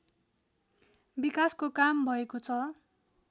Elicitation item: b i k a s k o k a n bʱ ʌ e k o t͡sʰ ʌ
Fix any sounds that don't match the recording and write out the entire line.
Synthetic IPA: b i k a s k o k a m bʱ ʌ e k o t͡sʰ ʌ